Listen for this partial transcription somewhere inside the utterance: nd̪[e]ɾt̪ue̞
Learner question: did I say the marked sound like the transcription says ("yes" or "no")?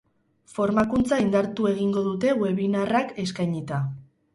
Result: no